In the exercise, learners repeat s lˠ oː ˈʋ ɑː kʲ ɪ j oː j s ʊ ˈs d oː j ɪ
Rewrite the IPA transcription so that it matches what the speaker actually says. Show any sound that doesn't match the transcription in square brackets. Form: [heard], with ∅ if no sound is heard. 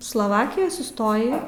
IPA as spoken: s lˠ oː ˈʋ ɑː kʲ ɪ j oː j s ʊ ˈs [t] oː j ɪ